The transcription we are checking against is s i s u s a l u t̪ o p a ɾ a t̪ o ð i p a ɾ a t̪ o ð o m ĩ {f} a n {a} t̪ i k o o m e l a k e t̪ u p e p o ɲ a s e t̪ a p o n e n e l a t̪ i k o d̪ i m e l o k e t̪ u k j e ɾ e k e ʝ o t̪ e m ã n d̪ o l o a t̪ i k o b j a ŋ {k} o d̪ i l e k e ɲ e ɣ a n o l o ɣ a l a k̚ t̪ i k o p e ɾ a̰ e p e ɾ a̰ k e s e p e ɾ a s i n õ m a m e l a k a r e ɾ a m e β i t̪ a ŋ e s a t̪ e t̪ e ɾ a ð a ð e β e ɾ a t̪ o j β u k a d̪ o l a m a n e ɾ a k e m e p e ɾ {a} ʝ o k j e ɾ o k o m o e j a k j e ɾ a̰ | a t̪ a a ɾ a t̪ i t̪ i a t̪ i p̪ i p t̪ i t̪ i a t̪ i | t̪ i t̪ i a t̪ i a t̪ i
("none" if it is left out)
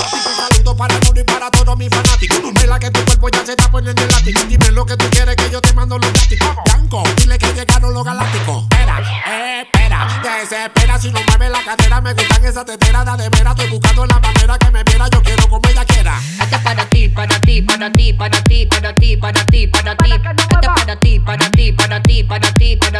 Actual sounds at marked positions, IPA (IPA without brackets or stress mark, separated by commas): f, a, k, a